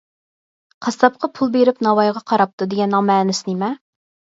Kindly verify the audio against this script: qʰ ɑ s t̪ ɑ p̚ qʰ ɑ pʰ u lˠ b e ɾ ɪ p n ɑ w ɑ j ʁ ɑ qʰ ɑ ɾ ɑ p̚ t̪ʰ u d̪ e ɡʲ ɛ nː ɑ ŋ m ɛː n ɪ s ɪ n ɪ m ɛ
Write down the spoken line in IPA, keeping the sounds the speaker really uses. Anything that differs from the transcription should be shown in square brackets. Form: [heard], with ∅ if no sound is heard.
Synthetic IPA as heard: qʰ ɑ s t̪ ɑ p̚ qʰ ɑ pʰ u lˠ b e ɾ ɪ p n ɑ w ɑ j ʁ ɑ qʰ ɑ ɾ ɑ p̚ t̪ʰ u d̪ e ɡʲ ɛ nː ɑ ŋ m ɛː n ɪ s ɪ n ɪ m ɛ